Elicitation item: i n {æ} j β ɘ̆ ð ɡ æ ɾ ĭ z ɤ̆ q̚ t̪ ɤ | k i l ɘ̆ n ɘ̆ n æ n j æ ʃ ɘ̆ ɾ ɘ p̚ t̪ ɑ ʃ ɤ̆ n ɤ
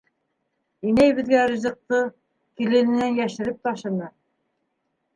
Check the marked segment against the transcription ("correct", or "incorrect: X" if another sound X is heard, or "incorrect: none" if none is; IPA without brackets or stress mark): correct